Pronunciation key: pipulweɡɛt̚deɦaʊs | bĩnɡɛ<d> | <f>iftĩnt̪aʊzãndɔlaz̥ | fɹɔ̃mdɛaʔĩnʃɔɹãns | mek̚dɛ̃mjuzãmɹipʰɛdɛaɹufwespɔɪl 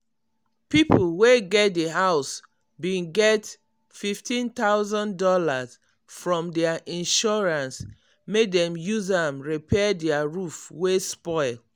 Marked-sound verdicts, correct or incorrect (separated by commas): incorrect, correct